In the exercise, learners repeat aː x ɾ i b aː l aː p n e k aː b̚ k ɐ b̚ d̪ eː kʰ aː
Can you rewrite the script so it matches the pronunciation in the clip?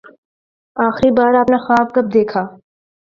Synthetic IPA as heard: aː x ɾ i b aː ɾ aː p n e x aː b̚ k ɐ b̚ d̪ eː kʰ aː